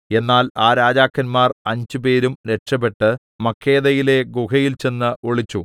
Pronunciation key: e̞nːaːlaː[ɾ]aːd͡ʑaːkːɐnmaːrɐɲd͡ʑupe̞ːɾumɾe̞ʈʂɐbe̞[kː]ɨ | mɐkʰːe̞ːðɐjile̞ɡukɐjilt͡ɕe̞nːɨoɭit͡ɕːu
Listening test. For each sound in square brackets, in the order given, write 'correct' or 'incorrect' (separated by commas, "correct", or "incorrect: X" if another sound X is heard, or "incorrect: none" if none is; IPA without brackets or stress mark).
correct, incorrect: ʈː